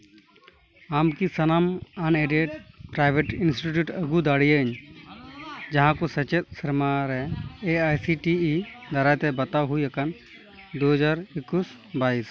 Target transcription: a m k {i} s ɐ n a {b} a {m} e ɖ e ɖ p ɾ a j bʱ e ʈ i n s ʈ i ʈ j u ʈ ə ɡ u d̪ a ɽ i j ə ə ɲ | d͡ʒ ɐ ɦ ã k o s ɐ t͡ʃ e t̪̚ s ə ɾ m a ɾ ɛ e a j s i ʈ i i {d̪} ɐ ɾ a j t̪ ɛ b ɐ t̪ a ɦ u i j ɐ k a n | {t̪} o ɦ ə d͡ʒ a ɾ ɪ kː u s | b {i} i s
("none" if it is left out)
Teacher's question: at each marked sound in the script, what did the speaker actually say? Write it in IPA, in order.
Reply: i, m, n, d̪, d̪, a

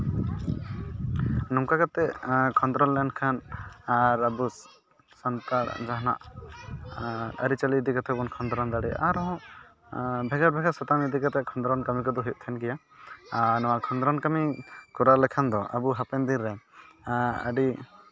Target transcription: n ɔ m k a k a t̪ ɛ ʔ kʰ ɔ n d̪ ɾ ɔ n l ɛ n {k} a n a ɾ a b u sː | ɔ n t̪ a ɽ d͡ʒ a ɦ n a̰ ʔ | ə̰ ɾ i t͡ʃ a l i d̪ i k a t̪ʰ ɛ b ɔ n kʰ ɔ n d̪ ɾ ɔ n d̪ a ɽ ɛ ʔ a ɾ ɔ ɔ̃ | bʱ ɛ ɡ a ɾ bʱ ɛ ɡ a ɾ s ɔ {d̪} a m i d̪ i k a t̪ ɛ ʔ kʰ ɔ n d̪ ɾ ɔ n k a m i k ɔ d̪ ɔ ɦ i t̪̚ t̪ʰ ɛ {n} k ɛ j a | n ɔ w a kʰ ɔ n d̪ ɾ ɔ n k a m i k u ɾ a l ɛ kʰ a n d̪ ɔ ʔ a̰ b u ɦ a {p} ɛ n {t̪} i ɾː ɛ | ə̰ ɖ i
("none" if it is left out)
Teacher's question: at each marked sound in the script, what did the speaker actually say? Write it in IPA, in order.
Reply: kʰ, t̪, n, p, d̪

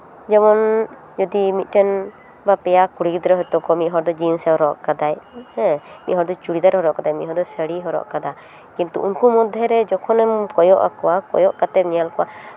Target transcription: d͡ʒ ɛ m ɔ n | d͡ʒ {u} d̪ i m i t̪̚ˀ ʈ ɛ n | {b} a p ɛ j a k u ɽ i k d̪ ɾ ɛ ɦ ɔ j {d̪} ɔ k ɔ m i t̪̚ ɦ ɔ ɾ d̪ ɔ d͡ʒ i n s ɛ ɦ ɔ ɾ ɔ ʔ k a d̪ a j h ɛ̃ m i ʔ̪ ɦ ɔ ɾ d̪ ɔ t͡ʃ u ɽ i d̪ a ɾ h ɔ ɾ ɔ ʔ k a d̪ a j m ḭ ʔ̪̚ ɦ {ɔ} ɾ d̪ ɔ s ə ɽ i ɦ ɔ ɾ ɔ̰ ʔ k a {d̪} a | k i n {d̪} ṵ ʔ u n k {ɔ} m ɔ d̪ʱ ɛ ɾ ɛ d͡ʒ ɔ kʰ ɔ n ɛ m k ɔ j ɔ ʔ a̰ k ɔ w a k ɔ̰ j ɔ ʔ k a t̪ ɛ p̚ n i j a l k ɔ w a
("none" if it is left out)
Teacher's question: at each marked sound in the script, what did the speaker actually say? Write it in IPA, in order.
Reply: ɔ, b, t̪, ɔ, d̪, t̪, u

